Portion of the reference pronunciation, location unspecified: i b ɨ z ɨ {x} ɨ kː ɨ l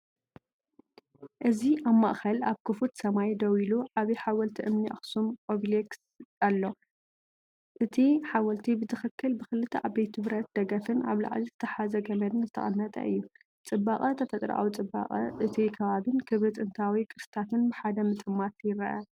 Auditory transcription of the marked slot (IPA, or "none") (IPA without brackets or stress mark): x